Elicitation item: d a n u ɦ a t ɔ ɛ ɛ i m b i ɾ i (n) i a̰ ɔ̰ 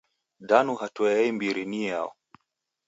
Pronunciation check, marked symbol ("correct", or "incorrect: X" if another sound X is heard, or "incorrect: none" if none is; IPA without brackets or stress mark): correct